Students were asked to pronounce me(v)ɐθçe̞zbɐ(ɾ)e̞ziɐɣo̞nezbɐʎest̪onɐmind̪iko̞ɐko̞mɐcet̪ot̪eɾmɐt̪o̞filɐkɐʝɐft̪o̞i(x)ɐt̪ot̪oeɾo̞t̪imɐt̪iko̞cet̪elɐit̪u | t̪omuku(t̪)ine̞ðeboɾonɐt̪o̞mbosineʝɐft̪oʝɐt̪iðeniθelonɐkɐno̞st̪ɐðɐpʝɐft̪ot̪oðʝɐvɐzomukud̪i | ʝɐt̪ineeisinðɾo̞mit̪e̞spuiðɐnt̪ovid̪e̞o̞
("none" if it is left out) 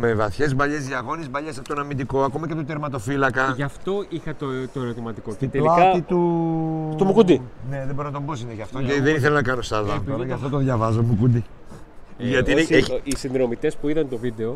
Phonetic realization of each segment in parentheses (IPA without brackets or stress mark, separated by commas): v, ʎ, x, d̪